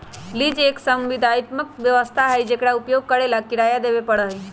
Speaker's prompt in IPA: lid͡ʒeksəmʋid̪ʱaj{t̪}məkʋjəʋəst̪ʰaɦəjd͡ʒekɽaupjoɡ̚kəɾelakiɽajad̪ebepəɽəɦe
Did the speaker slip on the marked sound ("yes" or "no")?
no